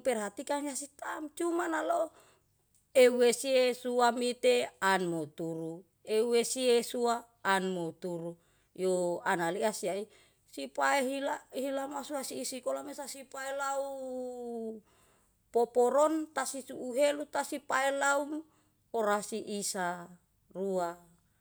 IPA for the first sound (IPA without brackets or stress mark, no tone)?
p